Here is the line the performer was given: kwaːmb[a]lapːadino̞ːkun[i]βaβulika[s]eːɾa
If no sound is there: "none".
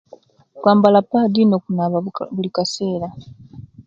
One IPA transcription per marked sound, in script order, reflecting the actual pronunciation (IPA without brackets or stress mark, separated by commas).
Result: a, a, s